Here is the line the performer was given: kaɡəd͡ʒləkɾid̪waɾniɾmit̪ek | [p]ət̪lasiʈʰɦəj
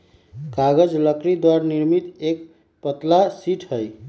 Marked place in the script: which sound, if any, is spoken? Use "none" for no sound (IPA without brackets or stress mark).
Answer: p